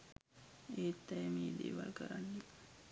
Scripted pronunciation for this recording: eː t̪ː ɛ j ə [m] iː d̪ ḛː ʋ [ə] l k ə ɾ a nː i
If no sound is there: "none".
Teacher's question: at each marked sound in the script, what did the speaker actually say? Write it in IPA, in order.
m, a

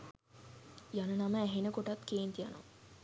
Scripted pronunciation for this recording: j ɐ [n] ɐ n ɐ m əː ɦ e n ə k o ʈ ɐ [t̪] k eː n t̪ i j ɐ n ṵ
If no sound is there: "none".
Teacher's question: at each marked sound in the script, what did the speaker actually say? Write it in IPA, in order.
n, t̪

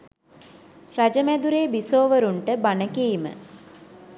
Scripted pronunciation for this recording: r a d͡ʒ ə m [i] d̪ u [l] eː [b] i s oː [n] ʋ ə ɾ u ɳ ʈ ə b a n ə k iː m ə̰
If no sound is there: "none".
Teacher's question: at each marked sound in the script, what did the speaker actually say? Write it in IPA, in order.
æ, ɾ, b, none

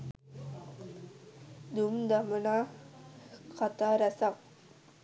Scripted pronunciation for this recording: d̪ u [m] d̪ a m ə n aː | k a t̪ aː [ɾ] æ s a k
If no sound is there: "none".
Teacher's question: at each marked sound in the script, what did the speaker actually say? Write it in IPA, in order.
m, ɾ

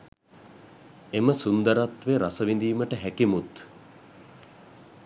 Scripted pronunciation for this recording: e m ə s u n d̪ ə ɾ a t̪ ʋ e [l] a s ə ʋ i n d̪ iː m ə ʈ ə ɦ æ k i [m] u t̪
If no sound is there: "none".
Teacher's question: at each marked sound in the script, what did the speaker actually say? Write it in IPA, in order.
ɾ, m

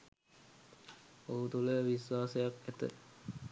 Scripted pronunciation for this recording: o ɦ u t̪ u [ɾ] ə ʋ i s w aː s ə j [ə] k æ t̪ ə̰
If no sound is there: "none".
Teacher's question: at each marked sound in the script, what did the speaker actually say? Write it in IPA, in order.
l, a

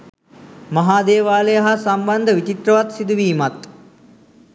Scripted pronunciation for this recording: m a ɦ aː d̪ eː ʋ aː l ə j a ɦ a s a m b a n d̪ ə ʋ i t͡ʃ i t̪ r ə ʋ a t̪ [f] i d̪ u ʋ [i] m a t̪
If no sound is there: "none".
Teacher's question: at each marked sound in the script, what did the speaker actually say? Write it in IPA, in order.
s, iː

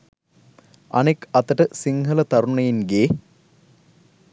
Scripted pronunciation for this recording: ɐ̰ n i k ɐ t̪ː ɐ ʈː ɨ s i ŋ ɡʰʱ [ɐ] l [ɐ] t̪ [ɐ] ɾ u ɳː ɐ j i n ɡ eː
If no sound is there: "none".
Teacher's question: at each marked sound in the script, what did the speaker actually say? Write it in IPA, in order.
ɐ, ɐ, ɐ

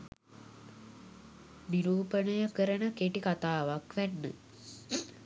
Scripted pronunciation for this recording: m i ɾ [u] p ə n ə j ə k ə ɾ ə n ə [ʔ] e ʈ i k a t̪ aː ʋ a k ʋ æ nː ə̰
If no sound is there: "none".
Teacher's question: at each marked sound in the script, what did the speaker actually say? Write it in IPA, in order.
uː, k

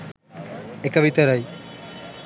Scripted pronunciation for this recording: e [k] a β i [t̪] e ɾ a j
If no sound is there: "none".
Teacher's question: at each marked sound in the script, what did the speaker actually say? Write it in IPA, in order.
k, t̪

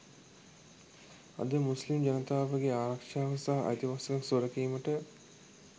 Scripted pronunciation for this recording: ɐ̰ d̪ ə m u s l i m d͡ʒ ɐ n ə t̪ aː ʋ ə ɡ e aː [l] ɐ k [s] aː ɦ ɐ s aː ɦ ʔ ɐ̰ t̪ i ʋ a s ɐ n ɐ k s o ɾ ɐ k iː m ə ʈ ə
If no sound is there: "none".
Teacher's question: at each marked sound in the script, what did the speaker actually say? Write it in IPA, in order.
ɾ, ʂ

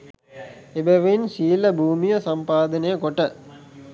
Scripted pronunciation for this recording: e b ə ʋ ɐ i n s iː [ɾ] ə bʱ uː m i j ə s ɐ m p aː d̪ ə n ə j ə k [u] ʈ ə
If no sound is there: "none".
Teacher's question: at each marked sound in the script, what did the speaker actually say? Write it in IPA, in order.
l, o

